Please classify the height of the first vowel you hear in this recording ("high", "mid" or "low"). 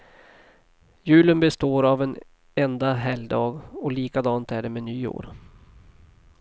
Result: high